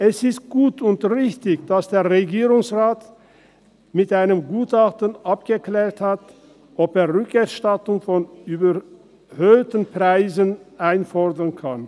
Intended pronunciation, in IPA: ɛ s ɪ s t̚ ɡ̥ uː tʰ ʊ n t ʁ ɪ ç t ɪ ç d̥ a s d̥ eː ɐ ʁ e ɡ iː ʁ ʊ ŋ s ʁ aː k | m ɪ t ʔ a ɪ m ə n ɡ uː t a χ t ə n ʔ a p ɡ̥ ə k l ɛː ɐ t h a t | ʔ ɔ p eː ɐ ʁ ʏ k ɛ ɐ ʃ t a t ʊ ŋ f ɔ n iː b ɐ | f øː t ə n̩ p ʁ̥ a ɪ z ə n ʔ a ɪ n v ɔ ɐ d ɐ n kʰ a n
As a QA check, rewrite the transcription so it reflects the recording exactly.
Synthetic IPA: ɛ s ɪ s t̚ ɡ̥ uː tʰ ʊ n t ʁ ɪ ç t ɪ ç d̥ a s d̥ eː ɐ ʁ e ɡ iː ʁ ʊ ŋ s ʁ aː t | m ɪ t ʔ a ɪ n ə m ɡ uː t a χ t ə n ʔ a p ɡ̥ ə k l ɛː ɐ t h a t | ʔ ɔ p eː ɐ ʁ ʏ k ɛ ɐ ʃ t a t ʊ ŋ f ɔ n yː b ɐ | h øː t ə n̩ p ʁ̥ a ɪ z ə n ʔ a ɪ n f ɔ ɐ d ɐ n kʰ a n